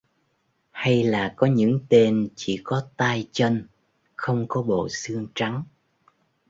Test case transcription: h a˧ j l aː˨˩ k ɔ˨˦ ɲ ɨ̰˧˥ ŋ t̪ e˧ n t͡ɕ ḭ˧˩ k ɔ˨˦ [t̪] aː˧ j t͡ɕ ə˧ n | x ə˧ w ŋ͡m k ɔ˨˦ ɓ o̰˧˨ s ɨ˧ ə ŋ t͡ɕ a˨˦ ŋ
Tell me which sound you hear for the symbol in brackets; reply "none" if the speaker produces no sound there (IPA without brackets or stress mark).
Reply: t̪